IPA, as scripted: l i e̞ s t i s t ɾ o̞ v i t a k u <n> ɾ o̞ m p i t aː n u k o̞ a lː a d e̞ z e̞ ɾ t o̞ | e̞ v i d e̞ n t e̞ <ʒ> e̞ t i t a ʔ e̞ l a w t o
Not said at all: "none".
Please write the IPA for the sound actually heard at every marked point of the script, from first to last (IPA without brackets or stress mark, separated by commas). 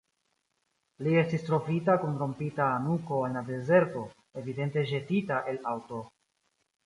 n, ʒ